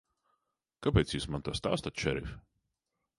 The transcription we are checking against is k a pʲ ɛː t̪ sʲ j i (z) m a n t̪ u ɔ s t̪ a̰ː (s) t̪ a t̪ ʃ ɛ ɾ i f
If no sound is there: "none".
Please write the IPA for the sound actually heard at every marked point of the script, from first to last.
s, s

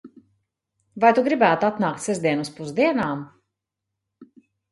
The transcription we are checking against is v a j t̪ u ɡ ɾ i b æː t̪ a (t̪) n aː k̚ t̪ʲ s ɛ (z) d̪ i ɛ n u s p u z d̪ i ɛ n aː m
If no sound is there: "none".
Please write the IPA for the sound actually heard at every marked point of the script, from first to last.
t̪, z

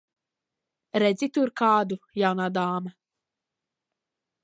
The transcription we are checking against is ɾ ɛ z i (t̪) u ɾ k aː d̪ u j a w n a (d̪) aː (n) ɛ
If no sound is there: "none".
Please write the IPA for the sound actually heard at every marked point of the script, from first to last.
t̪, d̪, m

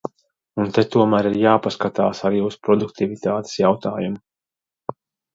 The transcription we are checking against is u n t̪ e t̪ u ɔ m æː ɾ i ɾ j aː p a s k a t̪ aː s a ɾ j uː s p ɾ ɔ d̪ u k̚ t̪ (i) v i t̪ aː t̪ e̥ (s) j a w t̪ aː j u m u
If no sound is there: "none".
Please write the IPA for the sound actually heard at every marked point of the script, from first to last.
i, s

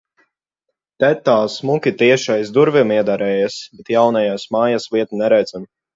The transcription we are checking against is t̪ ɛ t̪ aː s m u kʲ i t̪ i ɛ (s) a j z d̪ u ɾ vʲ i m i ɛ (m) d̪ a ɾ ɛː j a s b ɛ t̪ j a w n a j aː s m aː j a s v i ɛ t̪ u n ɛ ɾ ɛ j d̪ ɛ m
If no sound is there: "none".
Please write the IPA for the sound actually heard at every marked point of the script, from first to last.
ʃ, none

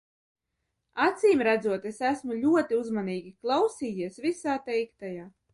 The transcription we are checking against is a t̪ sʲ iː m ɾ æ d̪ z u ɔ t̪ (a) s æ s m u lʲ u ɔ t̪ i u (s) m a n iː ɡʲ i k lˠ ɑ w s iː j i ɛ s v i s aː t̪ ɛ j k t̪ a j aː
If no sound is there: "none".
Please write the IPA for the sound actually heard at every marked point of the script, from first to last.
e, z

